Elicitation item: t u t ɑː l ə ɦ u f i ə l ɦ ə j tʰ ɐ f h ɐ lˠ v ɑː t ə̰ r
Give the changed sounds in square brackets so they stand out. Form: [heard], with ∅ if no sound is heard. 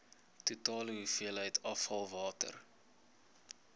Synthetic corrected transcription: t u t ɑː l ə ɦ u f i ə l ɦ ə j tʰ ɐ f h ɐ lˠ v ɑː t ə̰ r